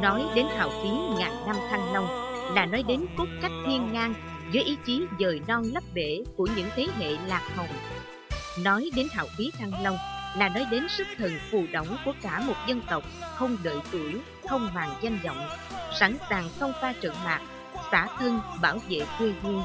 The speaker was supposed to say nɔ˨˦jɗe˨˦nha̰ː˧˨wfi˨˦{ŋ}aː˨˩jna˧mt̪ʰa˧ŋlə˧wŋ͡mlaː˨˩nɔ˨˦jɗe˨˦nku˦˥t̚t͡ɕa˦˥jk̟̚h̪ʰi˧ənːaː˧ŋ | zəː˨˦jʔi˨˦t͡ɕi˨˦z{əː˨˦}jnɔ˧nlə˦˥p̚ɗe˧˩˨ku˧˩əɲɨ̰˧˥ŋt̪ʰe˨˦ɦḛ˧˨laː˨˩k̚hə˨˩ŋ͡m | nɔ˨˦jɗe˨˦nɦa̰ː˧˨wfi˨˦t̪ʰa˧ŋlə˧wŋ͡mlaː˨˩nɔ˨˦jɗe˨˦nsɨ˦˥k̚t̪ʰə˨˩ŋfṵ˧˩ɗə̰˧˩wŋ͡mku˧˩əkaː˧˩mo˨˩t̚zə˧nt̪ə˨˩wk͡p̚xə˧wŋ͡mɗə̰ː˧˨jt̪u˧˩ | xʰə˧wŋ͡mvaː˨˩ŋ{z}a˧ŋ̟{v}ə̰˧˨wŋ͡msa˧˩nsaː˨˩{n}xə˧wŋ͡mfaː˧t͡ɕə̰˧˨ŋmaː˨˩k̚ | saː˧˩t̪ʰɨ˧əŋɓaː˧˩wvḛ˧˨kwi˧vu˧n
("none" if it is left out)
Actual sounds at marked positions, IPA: ŋ, əː˨˩, z, z, ŋ

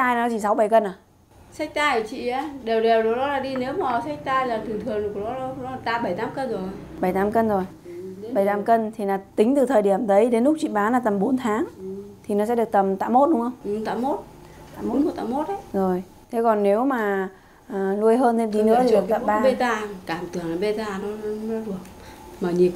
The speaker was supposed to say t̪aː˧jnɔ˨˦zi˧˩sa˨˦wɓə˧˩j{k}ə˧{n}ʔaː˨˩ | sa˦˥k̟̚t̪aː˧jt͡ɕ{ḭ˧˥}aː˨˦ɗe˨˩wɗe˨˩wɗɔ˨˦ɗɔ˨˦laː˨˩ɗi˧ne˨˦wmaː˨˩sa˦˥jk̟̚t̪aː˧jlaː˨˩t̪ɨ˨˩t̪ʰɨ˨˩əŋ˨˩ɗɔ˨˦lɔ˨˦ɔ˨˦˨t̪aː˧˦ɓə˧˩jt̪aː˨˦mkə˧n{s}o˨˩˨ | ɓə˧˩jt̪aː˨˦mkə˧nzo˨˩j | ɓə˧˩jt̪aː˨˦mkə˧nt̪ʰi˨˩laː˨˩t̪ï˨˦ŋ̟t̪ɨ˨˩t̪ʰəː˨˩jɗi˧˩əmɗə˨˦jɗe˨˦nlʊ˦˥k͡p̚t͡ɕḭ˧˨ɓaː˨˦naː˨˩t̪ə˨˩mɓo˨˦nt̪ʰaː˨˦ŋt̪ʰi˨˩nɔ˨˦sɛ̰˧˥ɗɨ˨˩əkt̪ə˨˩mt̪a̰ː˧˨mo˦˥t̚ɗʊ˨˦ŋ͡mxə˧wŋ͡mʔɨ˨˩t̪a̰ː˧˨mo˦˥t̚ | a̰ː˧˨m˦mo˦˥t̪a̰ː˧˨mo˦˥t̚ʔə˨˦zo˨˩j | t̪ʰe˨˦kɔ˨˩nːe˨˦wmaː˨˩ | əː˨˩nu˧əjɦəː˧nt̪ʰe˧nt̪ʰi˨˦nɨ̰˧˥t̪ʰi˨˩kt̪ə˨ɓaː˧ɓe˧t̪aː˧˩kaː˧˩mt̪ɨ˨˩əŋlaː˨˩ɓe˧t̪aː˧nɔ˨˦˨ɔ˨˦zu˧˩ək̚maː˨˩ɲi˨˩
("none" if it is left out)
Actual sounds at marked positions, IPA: k, n, ḭ˧˨, z

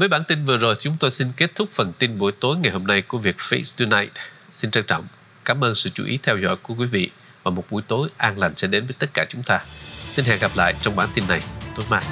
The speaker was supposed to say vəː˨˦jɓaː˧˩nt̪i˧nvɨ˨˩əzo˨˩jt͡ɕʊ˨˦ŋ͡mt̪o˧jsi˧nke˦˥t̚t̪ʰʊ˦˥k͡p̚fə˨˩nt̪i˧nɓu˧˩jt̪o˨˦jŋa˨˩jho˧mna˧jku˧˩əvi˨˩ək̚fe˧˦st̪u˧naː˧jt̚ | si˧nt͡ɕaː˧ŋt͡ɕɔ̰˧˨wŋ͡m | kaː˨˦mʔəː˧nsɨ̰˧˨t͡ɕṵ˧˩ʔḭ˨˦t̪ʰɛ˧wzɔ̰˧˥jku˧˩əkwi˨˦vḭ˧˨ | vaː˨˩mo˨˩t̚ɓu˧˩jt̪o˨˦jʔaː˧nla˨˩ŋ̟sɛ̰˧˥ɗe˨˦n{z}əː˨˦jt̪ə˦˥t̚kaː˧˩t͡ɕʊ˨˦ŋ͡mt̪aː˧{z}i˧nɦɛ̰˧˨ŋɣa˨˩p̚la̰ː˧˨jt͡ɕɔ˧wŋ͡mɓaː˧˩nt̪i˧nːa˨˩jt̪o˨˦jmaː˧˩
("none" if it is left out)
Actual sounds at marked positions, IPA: v, s

